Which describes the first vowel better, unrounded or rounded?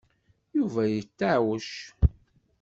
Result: rounded